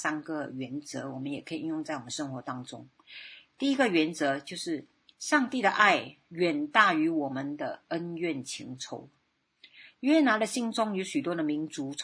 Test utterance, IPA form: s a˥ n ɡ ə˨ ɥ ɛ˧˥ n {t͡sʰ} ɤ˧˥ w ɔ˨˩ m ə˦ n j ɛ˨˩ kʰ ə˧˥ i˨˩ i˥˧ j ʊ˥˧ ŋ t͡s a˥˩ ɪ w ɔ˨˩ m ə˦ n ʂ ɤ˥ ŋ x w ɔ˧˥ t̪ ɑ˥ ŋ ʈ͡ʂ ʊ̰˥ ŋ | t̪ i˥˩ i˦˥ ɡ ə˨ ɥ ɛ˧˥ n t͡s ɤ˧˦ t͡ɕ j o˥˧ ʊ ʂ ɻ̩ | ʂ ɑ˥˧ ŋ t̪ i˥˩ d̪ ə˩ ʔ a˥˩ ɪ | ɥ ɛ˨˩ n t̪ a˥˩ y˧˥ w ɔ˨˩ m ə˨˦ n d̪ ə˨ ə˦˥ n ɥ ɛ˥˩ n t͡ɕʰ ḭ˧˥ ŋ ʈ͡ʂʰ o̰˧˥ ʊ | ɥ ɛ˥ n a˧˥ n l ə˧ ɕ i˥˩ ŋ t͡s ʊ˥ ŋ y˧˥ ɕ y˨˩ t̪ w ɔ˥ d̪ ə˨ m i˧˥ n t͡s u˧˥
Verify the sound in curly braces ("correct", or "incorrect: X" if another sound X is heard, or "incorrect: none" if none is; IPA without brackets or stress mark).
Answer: incorrect: t͡s